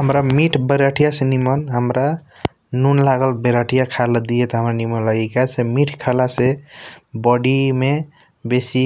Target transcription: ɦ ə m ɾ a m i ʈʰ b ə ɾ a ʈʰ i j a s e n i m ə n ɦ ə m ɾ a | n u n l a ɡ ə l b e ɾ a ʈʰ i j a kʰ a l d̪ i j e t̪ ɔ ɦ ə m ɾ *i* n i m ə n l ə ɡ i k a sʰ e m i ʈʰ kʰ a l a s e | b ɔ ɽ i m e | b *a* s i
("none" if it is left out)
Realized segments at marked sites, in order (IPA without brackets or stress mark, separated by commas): a, e